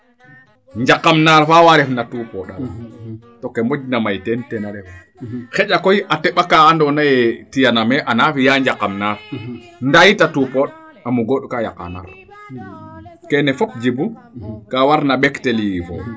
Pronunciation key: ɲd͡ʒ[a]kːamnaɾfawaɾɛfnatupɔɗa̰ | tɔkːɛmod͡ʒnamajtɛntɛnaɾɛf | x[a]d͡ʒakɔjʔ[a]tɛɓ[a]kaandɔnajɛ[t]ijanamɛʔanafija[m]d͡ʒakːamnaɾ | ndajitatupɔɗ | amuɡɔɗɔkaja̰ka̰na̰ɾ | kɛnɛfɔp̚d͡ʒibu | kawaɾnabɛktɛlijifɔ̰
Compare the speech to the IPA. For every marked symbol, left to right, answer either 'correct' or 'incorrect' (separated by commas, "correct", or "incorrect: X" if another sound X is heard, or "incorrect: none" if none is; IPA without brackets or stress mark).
correct, incorrect: ɛ, correct, correct, correct, incorrect: ɲ